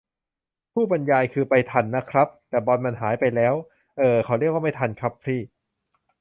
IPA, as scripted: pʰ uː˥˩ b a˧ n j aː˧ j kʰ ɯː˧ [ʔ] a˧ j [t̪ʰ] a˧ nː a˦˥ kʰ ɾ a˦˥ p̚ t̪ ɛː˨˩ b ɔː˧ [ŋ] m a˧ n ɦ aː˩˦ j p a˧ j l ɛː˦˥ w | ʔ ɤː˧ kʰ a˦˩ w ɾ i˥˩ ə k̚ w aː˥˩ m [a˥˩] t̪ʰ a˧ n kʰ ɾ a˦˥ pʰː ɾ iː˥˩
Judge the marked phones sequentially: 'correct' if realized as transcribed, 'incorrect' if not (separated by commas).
incorrect, correct, incorrect, correct